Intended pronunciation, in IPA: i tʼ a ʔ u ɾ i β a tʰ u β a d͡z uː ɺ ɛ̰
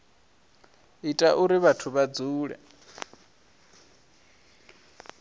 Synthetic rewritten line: i tʼ a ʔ u ɾ i β a tʰ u β a d͡z uː ɺ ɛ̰